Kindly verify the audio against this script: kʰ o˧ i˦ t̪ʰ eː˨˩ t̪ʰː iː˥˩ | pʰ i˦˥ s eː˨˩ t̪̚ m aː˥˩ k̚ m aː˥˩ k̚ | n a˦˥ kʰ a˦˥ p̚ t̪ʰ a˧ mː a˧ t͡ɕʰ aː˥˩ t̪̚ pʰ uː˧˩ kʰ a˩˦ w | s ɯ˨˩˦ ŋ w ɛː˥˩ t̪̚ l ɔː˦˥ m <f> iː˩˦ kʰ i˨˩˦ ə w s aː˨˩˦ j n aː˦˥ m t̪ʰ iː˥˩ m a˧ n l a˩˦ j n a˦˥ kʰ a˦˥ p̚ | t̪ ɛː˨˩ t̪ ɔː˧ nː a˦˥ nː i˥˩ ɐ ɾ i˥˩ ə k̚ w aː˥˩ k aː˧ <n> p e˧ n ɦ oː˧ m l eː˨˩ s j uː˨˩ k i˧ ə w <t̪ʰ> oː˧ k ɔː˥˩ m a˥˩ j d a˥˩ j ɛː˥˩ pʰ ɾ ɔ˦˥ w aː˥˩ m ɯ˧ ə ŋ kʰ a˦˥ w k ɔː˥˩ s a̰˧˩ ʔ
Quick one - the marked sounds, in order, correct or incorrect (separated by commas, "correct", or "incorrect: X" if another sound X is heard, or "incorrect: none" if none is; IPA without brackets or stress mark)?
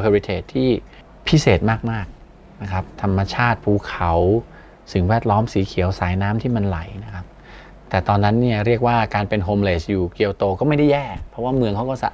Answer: incorrect: s, correct, incorrect: t̪